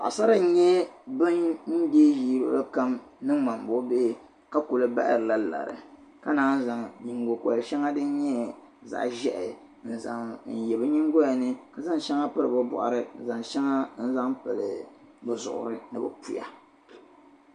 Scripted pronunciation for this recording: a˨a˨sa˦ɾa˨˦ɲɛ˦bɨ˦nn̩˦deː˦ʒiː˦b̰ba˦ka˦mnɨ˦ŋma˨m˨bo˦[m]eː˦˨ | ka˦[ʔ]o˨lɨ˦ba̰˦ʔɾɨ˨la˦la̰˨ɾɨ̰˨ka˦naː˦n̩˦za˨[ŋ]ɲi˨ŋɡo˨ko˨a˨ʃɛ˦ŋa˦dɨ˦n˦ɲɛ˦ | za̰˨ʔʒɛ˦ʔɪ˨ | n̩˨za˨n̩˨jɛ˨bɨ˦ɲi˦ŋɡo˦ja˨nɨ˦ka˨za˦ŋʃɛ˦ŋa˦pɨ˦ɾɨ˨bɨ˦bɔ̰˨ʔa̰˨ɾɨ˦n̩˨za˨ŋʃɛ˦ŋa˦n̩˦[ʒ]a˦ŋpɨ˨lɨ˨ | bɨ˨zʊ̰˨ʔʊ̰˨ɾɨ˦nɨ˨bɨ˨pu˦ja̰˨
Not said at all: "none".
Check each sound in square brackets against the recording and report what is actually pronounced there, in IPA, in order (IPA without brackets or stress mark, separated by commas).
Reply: b, k, ŋ, z